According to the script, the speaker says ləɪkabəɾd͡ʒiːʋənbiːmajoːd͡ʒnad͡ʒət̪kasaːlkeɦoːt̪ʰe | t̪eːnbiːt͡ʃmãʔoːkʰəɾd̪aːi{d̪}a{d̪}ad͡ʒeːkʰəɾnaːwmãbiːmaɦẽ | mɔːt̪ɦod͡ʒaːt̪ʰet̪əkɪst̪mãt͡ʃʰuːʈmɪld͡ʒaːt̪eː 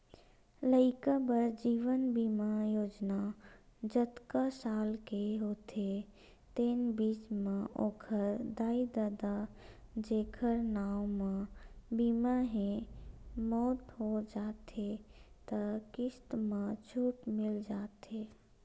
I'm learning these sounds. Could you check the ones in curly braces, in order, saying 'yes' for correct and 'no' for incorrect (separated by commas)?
yes, yes